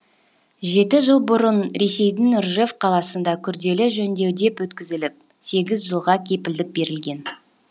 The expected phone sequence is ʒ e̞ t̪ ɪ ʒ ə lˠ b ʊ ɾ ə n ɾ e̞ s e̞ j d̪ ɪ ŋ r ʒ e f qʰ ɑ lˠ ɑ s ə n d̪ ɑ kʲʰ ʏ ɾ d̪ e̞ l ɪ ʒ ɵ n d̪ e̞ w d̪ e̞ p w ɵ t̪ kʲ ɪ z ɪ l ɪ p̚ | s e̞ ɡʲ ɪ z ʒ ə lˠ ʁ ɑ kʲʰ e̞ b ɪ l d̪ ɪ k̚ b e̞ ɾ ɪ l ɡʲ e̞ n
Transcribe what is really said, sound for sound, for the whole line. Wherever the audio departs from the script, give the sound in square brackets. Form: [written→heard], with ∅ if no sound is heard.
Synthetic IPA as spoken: ʒ e̞ t̪ ɪ ʒ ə lˠ b ʊ ɾ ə n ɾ e̞ s e̞ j d̪ ɪ ŋ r ʒ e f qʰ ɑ lˠ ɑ s ə n d̪ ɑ kʲʰ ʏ ɾ d̪ e̞ l ɪ ʒ ɵ n d̪ e̞ w d̪ e̞ p w ɵ t̪ kʲ ɪ z ɪ l ɪ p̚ | s e̞ ɡʲ ɪ z ʒ ə lˠ ʁ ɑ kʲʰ e̞ [b→p] ɪ l d̪ ɪ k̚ b e̞ ɾ ɪ l ɡʲ e̞ n